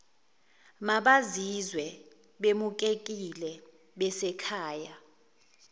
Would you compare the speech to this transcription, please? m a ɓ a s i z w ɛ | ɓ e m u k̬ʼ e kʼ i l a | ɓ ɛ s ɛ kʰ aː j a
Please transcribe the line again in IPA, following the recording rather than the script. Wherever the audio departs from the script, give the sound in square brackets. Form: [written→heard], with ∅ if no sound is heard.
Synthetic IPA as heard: m a ɓ a [s→z] i z w ɛ | ɓ e m u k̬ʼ e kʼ i l [a→ɛ] | ɓ ɛ s ɛ kʰ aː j a

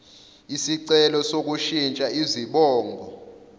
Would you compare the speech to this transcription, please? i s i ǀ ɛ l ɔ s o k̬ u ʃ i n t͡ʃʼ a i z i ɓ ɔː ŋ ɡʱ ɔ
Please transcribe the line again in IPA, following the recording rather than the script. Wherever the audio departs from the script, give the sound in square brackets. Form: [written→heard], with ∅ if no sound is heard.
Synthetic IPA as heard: i s i ǀ ɛ l ɔ s o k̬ u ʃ i n t͡ʃʼ a i z i ɓ ɔː ŋ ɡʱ ɔ

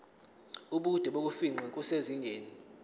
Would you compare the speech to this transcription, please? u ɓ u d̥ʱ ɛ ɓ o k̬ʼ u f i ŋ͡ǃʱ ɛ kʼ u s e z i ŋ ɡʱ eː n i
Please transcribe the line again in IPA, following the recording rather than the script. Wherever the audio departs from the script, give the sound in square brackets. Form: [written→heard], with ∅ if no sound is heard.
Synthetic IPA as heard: u ɓ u d̥ʱ ɛ ɓ o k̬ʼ u f i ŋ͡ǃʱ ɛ kʼ u s e z i ŋ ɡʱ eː n i

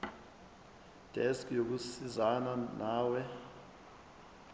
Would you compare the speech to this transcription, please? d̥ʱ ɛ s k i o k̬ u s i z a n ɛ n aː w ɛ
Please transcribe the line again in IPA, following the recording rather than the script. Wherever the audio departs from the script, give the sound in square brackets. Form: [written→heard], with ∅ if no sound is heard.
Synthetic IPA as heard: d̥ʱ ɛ s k [i→j] o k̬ u s i z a n [ɛ→a] n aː w ɛ

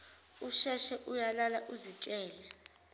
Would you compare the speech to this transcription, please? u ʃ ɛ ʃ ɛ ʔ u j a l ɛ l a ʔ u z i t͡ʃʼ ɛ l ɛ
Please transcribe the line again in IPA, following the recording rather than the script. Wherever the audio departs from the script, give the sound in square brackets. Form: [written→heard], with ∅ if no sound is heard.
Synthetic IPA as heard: u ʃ ɛ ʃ ɛ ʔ u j a l [ɛ→a] l a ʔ u z i t͡ʃʼ [ɛ→ɛː] l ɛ

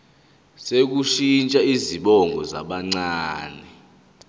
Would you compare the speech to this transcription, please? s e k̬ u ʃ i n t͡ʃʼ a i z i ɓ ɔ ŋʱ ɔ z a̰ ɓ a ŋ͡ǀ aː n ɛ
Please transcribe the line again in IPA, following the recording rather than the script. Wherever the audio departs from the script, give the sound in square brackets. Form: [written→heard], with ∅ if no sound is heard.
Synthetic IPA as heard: s e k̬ u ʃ i n t͡ʃʼ a i z i ɓ ɔ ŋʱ ɔ z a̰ ɓ a ŋ͡ǀ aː n ɛ

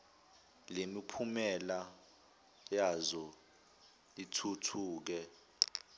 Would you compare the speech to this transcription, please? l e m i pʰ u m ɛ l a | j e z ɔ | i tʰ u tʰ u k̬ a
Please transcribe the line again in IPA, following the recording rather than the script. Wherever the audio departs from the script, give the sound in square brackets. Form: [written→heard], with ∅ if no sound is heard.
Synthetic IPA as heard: l e m i pʰ u m ɛ l a | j [e→a] z ɔ | i tʰ u tʰ [u→uː] k̬ [a→ɛ]

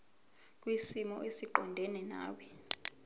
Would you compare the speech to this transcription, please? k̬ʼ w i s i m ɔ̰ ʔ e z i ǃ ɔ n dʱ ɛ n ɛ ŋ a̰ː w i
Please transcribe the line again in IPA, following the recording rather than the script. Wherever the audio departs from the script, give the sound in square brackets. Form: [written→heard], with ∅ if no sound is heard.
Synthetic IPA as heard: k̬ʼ w i s i m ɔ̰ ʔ e [z→s] i ǃ ɔ n dʱ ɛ n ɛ [ŋ→n] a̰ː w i

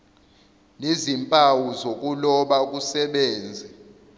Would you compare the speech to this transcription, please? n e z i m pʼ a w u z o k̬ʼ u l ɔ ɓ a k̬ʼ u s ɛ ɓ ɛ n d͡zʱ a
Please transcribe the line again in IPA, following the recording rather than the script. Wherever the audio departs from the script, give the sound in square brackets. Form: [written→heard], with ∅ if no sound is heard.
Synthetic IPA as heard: n e z i m pʼ a w u z o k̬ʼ u l ɔ ɓ a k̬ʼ u s ɛ ɓ [ɛ→ɛː] n d͡zʱ [a→ɛ]

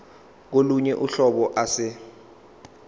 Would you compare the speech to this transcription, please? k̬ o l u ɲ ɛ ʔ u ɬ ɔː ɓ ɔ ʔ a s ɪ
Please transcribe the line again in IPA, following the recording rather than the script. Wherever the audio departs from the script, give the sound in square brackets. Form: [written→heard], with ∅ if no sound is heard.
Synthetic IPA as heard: k̬ o l u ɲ ɛ ʔ u ɬ [ɔː→ɔ] ɓ ɔ ʔ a s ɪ

